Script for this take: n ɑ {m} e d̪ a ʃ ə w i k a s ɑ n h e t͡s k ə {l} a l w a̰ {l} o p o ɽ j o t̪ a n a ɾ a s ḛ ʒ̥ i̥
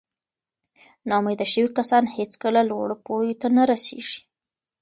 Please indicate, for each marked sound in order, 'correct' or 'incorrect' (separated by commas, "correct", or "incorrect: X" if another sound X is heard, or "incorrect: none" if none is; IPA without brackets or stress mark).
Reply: correct, correct, incorrect: ɽ